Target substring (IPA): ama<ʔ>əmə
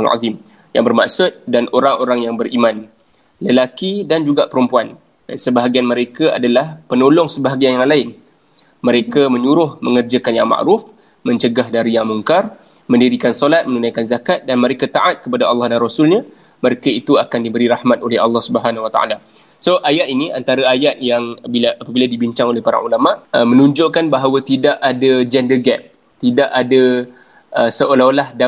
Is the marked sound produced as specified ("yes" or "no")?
yes